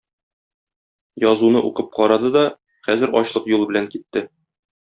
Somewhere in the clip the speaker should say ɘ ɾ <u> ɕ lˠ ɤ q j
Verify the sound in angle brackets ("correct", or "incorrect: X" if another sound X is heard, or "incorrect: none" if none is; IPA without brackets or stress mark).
incorrect: ɒ